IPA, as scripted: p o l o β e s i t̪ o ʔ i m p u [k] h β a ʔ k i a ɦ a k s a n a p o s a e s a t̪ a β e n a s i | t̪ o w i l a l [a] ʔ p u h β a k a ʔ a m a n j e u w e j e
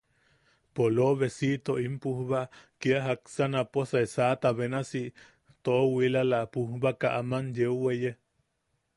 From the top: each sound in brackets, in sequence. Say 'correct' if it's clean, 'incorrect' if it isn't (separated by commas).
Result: incorrect, correct